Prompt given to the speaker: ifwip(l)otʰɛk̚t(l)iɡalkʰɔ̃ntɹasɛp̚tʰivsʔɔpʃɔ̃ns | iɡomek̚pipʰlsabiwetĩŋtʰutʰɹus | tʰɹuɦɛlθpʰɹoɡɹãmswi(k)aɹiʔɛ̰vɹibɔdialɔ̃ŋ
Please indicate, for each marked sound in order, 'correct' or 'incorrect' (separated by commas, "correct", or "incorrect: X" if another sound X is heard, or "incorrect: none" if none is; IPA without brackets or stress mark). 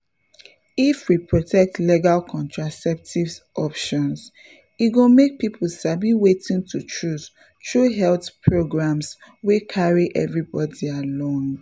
incorrect: ɹ, correct, incorrect: kʰ